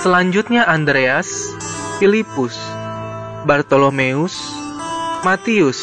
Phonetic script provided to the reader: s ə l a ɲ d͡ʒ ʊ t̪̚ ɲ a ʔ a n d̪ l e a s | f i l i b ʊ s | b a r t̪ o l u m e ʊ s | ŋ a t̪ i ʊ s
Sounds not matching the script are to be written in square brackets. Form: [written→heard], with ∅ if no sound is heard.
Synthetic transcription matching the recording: s ə l a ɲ d͡ʒ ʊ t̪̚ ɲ a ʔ a n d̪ [l→ɾ] e a s | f i l i [b→p] ʊ s | b a r t̪ o l [u→o] m e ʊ s | [ŋ→m] a t̪ i ʊ s